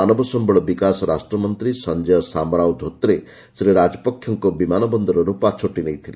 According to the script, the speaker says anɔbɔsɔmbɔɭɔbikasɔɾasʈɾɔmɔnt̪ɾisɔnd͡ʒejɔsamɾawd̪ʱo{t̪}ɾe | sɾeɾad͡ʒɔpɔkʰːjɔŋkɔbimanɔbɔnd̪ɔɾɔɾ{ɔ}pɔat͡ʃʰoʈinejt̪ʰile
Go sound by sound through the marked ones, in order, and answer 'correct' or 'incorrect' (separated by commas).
correct, incorrect